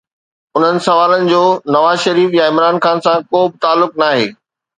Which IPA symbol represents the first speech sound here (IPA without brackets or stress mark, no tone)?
ʊ